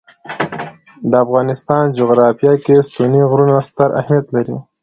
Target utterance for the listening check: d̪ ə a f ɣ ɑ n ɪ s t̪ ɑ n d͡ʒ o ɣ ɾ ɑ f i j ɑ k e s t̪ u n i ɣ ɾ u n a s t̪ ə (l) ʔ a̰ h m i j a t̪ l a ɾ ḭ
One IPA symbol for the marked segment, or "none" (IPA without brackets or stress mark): ɾ